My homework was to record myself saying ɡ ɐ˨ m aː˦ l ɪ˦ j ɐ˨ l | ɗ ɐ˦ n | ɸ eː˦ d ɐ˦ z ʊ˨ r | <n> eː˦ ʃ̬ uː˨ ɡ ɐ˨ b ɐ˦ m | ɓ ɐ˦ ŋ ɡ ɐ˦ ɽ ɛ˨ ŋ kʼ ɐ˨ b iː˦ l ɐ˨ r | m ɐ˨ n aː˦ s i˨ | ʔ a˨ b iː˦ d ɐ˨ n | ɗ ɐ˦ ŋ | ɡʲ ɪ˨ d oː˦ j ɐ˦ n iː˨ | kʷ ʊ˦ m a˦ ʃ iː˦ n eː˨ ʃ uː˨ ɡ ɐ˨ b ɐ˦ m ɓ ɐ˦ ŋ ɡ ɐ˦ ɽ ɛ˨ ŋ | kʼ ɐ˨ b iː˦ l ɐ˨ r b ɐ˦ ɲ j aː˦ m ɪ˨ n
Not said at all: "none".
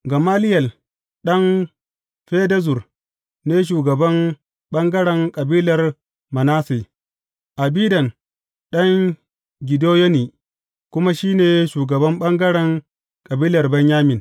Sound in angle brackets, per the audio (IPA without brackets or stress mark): n